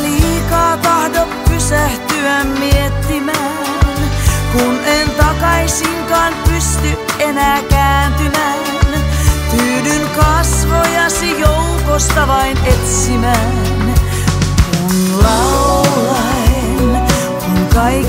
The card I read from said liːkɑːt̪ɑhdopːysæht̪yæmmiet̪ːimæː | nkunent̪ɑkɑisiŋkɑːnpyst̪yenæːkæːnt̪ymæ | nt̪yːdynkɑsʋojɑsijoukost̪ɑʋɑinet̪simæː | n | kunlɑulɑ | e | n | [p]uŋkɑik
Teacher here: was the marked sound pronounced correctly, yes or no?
no